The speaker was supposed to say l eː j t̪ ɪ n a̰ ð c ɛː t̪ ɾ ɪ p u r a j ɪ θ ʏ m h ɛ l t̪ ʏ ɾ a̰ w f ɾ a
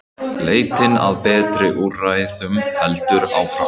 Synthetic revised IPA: l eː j t̪ ɪ n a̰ ð p ɛː t̪ ɾ ɪ ʔ u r a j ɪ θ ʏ m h ɛ l t̪ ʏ ɾ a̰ w f ɾ a